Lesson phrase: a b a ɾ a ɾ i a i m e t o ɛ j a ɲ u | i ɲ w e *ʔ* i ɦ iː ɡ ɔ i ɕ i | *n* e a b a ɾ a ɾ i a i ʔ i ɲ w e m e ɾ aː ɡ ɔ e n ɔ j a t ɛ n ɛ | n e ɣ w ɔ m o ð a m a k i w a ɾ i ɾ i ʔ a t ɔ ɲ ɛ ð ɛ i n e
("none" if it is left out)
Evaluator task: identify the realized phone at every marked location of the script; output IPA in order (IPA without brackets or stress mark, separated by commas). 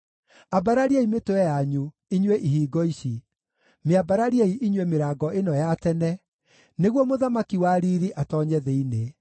ʔ, m